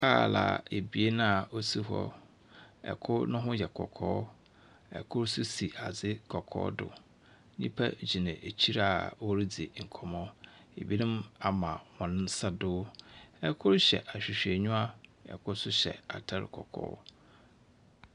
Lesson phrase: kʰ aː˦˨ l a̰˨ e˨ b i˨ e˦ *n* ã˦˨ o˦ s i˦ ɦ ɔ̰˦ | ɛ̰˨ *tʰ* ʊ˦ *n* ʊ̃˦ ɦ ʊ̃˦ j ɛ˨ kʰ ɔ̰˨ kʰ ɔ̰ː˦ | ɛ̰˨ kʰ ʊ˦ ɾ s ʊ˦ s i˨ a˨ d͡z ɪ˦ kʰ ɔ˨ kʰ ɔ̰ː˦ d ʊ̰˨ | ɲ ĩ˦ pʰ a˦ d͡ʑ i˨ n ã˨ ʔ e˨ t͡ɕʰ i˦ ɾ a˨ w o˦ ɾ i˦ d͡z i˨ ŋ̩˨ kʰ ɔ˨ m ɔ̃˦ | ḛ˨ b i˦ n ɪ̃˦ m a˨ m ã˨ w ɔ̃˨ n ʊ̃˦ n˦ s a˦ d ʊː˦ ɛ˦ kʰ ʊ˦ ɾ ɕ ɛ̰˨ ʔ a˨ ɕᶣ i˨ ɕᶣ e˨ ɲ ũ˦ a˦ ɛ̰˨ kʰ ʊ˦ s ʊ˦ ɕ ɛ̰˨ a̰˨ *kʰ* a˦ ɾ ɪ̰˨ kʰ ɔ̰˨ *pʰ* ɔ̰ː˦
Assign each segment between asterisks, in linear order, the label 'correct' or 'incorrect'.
correct, incorrect: kʰ, correct, incorrect: tʰ, incorrect: kʰ

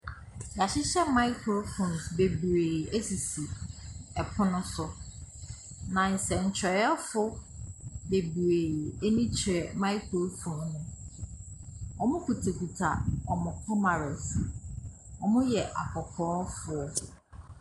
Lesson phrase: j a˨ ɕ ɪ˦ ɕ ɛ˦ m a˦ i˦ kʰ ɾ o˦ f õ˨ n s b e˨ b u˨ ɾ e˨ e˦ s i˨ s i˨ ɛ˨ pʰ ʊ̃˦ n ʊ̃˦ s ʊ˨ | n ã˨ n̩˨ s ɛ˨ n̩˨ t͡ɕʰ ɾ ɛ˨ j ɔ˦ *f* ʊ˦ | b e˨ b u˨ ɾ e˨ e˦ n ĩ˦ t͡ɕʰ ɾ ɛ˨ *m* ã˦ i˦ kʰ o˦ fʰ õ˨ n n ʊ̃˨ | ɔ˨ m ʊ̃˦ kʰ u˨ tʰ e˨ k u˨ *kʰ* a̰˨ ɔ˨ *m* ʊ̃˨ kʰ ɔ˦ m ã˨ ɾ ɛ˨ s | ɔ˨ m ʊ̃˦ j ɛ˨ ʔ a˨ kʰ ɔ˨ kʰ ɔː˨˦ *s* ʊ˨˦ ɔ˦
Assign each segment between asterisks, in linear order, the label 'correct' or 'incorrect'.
correct, correct, incorrect: tʰ, correct, incorrect: f

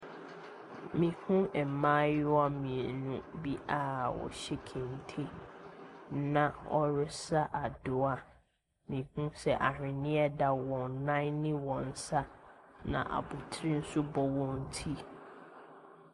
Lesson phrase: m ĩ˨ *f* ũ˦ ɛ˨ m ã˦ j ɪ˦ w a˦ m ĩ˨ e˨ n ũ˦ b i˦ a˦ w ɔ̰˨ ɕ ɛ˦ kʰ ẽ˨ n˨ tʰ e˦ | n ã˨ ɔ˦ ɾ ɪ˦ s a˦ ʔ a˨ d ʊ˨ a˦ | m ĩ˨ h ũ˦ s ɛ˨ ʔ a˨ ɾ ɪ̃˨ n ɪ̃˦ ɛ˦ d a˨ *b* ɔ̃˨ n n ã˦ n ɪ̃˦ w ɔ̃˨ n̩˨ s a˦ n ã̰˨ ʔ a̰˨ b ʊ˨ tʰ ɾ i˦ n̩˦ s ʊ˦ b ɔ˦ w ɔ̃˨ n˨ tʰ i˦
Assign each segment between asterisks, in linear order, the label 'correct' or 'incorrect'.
incorrect: h, incorrect: w

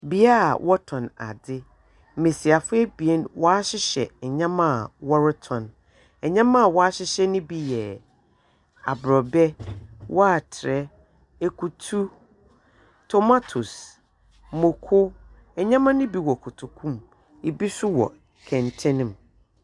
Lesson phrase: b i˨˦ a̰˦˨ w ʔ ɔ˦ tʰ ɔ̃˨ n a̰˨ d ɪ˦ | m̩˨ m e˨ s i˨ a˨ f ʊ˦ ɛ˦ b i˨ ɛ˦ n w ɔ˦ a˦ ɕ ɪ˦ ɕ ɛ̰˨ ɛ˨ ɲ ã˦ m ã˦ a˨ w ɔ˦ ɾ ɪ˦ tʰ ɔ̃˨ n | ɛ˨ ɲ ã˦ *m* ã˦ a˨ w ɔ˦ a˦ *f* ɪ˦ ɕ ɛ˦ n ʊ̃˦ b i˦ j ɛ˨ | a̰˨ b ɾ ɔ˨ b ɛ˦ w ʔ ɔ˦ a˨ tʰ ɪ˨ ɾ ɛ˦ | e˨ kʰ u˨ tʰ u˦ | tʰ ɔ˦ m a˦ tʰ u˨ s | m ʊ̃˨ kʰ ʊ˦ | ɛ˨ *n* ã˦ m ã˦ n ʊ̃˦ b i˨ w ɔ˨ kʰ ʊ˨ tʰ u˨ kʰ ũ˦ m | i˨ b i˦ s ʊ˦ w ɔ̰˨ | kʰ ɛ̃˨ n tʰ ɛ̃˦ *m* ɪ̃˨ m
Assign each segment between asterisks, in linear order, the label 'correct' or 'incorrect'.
correct, incorrect: ɕ, incorrect: ɲ, incorrect: n

